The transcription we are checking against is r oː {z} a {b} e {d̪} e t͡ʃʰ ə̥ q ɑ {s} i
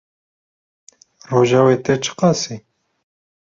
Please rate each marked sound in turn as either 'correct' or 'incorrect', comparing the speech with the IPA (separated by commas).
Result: incorrect, incorrect, incorrect, correct